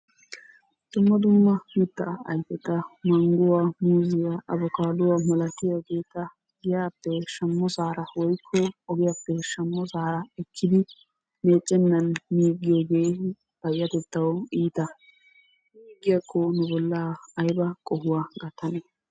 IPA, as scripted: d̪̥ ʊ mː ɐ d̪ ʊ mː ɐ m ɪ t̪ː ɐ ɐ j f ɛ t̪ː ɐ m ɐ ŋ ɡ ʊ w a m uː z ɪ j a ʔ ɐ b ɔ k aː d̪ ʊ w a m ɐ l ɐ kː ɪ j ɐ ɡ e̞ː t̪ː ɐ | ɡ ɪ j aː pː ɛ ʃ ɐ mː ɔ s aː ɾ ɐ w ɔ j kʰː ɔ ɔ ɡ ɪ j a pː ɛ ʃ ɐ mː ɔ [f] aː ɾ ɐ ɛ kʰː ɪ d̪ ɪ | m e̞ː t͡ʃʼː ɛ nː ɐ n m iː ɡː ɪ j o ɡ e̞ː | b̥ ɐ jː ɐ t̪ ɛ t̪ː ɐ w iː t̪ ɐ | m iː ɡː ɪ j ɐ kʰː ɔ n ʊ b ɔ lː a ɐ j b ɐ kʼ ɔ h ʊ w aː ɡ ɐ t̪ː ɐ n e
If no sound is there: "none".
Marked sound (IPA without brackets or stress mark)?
s